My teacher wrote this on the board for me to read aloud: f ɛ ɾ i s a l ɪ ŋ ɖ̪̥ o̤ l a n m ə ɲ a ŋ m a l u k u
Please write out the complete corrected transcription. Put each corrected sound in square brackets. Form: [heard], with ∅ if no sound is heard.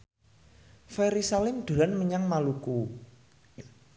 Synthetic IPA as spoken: f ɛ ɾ i s a l ɪ [m] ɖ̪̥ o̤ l a n m ə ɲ a ŋ m a l u k u